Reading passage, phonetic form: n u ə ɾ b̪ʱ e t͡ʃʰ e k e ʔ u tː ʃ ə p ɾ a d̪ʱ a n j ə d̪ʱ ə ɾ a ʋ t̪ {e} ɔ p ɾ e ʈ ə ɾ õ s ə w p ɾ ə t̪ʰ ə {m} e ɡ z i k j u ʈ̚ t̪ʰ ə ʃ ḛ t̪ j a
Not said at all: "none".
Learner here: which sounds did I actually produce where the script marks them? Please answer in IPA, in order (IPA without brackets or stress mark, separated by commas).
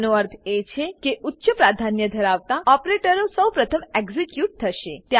a, m